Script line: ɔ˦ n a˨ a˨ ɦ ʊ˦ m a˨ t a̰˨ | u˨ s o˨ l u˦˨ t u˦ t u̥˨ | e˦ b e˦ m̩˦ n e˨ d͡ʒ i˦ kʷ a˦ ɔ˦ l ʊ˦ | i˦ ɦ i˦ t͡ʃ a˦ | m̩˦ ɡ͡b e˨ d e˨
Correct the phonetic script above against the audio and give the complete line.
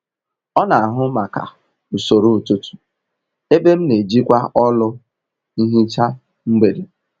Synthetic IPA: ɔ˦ n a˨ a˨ ɦ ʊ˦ m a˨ k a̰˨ | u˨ s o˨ ɾ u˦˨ t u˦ t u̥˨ | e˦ b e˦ m̩˦ n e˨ d͡ʒ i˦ kʷ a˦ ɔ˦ l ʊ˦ | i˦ ɦ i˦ t͡ʃ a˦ | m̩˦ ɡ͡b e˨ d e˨

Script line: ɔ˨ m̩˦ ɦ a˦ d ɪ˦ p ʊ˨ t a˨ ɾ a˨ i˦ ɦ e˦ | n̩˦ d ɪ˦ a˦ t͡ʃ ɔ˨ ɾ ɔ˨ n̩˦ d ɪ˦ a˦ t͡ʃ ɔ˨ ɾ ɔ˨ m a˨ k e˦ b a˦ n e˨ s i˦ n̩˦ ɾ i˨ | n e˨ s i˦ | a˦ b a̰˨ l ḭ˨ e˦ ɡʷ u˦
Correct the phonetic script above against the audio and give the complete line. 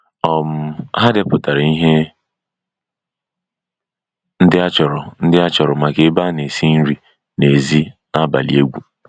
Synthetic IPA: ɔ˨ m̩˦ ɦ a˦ d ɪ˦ p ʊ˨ t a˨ ɾ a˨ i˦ ɦ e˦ | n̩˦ d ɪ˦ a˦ t͡ʃ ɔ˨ ɾ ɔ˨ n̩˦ d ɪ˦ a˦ t͡ʃ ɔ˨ ɾ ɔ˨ m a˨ k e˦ b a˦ n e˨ s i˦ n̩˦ ɾ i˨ | n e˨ z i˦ | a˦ b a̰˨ l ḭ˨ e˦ ɡʷ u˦

